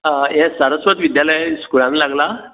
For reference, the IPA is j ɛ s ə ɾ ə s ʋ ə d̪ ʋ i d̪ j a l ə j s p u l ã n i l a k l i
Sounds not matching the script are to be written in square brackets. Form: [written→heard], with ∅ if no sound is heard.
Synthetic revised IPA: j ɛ s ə ɾ ə s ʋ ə [d̪→t̪] ʋ i d̪ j a l ə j s [p→k] u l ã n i l a [k→ɡ] l [i→a]